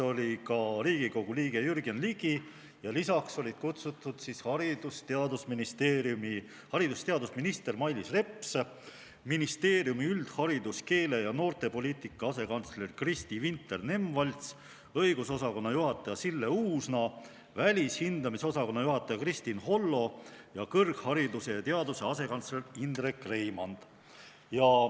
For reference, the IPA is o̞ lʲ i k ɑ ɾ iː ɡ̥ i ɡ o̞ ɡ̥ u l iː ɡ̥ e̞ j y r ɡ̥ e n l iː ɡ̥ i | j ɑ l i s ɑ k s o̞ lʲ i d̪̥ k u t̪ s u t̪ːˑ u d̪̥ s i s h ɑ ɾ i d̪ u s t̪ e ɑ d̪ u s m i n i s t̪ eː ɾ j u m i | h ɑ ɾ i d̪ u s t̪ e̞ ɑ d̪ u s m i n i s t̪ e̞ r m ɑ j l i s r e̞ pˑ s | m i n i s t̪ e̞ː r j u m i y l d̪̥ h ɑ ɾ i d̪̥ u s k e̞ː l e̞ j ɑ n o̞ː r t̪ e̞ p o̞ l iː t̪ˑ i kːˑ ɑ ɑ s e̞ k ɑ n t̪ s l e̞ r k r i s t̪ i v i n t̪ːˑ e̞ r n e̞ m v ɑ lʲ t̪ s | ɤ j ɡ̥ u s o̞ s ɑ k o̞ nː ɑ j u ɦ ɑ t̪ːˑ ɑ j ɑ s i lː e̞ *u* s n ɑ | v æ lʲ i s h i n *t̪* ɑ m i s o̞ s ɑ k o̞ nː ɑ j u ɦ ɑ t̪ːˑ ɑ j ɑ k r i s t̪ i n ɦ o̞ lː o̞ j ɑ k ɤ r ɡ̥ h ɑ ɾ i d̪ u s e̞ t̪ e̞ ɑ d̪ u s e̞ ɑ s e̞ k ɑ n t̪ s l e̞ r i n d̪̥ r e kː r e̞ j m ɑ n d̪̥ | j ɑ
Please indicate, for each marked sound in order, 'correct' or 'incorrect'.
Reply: incorrect: uː, incorrect: d̪

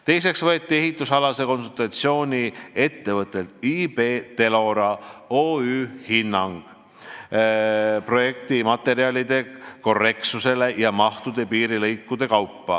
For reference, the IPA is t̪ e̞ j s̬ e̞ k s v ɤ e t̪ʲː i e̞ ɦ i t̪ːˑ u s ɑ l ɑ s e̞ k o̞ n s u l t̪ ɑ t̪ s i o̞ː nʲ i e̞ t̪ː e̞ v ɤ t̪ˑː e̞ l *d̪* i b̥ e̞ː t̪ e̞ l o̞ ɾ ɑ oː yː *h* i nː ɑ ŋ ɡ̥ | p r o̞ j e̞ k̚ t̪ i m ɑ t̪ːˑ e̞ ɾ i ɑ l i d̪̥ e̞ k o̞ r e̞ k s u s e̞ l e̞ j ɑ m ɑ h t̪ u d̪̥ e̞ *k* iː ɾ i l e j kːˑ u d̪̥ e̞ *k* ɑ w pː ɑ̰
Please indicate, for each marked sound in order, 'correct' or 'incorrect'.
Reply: incorrect: t̪, correct, incorrect: p, correct

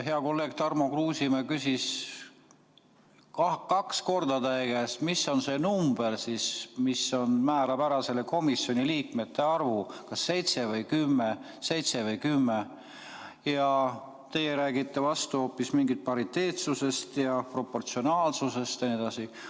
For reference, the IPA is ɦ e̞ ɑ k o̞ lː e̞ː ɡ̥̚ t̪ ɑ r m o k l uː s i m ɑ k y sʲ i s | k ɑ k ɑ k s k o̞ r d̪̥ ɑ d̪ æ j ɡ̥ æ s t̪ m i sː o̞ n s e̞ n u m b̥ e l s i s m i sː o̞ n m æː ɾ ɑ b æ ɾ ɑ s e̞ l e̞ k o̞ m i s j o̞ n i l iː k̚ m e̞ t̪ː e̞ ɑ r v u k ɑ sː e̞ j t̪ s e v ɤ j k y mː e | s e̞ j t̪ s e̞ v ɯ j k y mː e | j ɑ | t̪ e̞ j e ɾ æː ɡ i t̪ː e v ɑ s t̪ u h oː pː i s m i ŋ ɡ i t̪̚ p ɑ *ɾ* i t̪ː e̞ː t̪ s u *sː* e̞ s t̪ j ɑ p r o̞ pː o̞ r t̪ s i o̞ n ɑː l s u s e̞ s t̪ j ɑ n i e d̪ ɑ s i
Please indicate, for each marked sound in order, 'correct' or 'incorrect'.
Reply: correct, incorrect: s

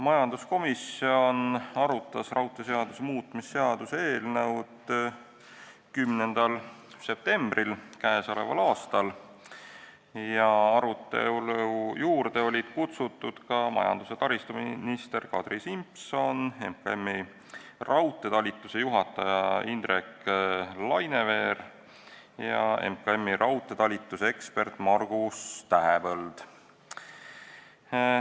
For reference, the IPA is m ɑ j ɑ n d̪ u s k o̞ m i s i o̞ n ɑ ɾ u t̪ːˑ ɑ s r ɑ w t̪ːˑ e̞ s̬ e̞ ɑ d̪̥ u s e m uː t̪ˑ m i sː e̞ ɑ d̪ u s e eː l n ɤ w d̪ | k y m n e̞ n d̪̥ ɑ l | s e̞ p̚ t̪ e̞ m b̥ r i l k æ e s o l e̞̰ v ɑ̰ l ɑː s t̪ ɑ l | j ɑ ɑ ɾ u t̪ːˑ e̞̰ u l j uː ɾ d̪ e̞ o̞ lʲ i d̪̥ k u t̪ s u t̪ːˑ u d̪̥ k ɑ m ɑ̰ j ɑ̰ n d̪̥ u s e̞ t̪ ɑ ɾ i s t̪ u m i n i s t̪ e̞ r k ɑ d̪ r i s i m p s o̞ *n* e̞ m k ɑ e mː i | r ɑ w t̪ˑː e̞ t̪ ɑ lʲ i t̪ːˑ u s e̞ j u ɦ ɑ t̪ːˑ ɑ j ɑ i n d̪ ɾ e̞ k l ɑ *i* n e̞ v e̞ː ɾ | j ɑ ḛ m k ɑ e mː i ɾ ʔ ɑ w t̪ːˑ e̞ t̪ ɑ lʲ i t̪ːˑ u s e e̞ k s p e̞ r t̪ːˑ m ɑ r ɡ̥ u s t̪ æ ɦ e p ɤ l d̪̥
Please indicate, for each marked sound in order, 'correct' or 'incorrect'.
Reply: correct, incorrect: j

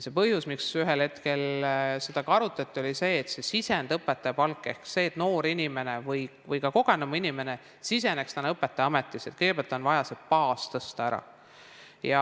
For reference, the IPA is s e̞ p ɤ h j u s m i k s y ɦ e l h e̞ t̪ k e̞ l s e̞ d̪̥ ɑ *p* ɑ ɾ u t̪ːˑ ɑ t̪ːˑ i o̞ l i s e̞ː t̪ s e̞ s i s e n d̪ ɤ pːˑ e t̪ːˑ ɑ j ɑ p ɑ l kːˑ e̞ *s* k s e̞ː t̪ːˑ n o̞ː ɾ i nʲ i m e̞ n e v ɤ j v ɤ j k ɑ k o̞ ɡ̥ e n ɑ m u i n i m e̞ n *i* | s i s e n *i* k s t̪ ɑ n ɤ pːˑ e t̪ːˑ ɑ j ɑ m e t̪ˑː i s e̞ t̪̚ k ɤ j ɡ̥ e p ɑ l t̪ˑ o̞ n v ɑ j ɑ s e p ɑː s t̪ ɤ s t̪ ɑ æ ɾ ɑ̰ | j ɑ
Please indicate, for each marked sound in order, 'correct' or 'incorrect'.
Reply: incorrect: k, incorrect: h, incorrect: e, incorrect: e

